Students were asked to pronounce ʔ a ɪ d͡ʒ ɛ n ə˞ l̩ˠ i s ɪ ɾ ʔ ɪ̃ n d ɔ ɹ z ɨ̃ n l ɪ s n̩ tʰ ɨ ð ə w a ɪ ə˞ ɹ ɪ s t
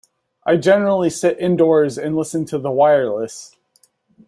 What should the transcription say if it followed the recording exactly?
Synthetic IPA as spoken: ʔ a ɪ d͡ʒ ɛ n ə˞ l̩ˠ i s ɪ ɾ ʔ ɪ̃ n d ɔ ɹ z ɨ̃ n l ɪ s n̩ tʰ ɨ ð ə w a ɪ ə˞ l ɪ s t